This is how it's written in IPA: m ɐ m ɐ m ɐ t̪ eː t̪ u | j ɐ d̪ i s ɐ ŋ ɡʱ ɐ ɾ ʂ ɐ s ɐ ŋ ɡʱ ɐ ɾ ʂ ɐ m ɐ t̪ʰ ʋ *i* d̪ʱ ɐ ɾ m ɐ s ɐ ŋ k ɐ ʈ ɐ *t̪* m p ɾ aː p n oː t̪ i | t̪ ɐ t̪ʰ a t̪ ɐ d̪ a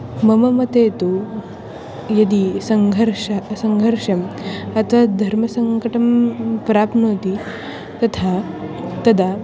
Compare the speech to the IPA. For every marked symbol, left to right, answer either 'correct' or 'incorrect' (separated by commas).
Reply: incorrect, incorrect